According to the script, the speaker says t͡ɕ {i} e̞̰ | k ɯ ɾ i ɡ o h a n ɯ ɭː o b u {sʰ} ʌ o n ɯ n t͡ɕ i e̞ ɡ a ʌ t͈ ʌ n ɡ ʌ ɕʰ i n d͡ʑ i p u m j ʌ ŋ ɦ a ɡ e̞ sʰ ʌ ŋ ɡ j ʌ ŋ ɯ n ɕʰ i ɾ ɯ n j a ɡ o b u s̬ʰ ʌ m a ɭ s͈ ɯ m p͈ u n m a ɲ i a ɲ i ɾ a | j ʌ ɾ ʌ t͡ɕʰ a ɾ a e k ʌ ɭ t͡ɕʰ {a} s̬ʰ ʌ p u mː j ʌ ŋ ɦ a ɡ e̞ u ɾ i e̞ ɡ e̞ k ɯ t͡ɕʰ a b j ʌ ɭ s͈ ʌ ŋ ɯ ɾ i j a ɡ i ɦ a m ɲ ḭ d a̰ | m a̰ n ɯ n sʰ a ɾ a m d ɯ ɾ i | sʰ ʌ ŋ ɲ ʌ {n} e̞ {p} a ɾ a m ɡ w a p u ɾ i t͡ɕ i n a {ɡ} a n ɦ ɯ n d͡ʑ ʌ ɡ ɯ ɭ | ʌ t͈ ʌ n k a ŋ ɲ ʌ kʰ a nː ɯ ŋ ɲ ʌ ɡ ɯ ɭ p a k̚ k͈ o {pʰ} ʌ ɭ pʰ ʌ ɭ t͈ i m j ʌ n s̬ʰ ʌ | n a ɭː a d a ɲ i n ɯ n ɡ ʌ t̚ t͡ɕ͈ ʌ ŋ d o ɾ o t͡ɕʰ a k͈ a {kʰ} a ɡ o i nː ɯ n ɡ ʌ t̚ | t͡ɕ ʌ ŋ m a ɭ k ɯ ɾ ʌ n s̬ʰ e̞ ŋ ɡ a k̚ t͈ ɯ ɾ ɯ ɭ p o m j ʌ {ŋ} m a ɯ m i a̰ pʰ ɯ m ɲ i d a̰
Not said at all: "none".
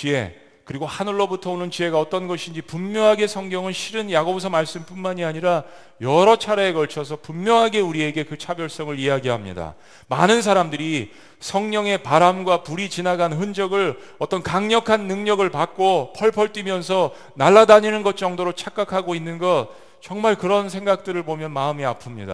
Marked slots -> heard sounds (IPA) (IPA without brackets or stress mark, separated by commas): i, tʰ, ʌ, ŋ, p, ɡ, pʰ, kʰ, n